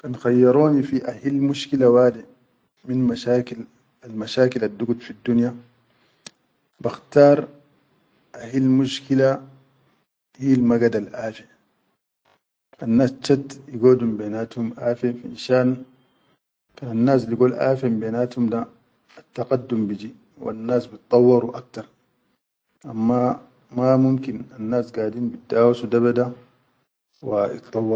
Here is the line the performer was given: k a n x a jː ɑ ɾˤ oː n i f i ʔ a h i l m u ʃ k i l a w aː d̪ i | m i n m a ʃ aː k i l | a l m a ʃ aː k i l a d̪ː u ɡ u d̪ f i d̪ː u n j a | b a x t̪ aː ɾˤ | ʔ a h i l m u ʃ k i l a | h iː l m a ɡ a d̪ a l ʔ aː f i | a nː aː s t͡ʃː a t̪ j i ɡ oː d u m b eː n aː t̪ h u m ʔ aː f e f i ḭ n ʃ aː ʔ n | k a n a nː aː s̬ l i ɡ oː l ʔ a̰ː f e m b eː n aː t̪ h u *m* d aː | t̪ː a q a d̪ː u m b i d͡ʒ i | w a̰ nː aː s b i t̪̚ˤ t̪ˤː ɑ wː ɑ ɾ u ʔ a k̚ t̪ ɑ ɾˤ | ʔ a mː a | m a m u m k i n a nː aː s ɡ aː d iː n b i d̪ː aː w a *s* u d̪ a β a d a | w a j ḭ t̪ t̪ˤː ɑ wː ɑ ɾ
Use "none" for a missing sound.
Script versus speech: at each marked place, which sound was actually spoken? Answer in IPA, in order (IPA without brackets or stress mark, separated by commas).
m, s